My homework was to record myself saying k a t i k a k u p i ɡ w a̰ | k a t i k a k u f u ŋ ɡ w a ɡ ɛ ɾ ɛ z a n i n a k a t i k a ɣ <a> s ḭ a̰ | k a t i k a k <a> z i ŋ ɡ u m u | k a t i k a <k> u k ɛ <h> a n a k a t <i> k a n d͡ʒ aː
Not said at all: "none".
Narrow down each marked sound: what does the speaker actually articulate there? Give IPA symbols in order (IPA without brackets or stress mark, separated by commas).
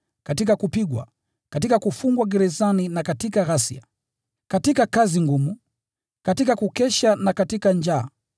a, a, k, ʃ, i